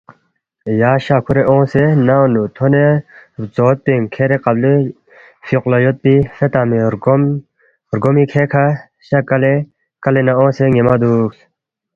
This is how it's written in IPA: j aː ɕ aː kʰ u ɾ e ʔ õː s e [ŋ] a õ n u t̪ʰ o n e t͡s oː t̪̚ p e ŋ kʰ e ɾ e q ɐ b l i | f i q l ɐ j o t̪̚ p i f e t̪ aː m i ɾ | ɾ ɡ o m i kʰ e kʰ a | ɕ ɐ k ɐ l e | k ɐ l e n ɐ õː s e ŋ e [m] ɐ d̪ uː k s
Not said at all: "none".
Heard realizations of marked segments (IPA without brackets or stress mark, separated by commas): n, m